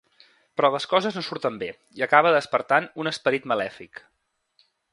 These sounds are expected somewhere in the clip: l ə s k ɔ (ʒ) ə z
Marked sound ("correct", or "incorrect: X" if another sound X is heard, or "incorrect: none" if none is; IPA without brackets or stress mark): incorrect: z